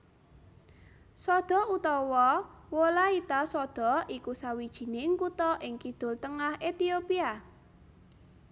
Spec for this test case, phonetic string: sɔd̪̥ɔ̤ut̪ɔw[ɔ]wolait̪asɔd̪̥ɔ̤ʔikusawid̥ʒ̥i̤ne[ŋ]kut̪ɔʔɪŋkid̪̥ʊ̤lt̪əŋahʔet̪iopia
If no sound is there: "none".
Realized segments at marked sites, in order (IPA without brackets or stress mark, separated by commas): ɔ, ŋ